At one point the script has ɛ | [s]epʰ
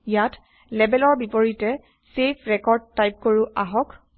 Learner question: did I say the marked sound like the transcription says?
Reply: yes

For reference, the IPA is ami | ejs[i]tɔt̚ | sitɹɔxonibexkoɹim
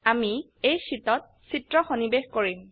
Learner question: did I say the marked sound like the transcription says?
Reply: yes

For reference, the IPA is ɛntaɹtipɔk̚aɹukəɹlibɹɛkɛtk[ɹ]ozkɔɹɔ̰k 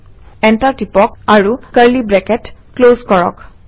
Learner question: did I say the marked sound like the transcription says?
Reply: no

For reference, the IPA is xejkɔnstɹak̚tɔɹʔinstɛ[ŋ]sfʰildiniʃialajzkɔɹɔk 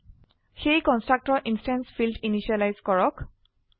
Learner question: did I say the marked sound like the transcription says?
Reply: no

